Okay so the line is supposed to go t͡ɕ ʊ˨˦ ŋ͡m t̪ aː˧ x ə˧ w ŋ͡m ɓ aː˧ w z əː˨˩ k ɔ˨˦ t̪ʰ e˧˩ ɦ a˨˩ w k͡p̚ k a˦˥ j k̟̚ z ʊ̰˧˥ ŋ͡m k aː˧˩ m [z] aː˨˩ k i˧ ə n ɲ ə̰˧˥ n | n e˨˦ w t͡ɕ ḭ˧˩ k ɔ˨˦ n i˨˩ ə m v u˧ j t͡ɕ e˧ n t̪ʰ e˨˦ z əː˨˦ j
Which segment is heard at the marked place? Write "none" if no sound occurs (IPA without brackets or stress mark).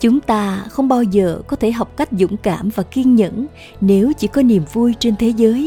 v